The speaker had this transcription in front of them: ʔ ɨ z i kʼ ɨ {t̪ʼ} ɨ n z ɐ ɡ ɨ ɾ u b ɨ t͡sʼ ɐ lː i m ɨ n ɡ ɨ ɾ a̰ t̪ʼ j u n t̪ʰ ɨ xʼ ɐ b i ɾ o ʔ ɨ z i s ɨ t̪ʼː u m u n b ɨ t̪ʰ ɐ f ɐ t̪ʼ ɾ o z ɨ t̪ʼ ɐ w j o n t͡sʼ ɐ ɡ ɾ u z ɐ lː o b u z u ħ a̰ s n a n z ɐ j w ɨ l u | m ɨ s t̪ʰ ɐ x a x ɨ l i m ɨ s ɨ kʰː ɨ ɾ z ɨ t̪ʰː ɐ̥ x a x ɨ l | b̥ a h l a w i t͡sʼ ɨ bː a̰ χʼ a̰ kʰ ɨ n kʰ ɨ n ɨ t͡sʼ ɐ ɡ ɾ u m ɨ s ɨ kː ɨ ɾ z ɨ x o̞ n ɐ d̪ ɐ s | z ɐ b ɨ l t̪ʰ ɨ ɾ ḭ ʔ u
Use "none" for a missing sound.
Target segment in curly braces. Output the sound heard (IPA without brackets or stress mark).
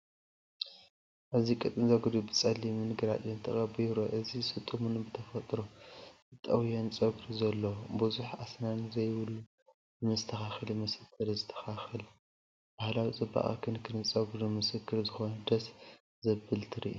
t̪ʼ